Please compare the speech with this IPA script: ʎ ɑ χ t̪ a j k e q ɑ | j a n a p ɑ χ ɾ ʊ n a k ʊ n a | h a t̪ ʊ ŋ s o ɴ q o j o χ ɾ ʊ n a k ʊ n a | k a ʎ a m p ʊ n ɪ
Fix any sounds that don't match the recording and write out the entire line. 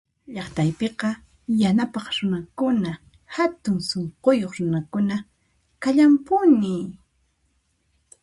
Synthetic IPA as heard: ʎ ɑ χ t̪ a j p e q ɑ | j a n a p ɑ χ ɾ ʊ n a k ʊ n a | h a t̪ ʊ ŋ s o ɴ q o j o χ ɾ ʊ n a k ʊ n a | k a ʎ a m p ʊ n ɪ